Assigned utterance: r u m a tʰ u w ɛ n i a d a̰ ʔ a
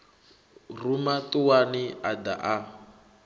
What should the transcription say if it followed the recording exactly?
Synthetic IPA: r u m a t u w a n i a d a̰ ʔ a